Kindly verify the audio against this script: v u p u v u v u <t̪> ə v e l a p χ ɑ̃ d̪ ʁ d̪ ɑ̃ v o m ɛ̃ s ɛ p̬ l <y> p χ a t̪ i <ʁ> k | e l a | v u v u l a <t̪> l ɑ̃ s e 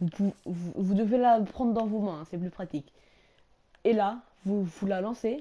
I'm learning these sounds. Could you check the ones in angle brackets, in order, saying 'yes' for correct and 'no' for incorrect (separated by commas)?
no, yes, no, no